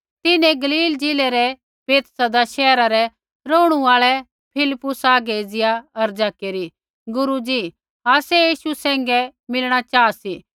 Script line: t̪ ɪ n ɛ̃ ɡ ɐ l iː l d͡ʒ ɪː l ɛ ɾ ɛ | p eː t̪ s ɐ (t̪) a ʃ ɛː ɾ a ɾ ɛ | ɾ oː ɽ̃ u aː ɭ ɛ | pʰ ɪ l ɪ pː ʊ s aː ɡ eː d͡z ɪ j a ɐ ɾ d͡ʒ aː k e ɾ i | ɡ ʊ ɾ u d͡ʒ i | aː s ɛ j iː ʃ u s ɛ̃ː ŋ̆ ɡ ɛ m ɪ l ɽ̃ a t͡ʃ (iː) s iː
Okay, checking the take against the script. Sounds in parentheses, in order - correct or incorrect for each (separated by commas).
incorrect, incorrect